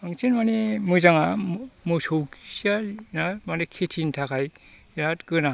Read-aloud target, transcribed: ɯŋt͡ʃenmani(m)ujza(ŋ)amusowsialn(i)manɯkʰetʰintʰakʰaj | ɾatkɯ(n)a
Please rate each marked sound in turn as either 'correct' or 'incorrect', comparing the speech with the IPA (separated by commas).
correct, correct, incorrect, correct